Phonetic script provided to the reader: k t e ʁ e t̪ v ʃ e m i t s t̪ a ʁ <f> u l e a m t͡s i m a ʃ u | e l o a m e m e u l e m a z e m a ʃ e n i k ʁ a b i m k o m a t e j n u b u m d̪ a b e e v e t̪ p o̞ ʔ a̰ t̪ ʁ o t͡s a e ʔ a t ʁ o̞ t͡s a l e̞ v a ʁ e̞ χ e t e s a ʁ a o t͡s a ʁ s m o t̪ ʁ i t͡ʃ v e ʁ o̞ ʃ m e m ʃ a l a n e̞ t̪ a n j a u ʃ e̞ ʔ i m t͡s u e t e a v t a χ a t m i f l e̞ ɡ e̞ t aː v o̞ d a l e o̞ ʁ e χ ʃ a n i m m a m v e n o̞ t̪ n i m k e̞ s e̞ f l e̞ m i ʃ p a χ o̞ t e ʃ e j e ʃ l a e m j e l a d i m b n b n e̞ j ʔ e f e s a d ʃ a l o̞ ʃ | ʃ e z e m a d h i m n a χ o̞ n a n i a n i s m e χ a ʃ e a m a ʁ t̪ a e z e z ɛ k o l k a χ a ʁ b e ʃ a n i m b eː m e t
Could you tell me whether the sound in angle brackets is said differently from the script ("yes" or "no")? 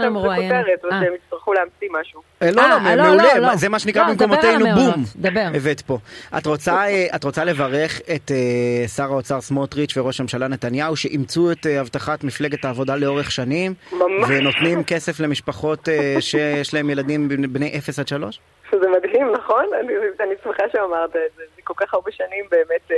yes